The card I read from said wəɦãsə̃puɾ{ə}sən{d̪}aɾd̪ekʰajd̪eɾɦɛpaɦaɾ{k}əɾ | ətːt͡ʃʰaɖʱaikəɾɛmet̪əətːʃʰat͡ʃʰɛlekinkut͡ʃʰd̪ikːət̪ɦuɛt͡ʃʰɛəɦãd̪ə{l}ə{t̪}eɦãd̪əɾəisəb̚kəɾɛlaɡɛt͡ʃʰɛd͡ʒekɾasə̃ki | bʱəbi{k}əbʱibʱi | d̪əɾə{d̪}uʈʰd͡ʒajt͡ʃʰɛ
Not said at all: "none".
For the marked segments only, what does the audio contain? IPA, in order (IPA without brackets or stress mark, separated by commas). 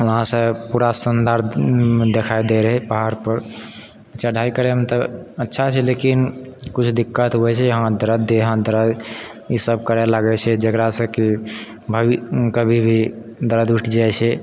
a, d̪, p, ɾ, d̪, k, d̪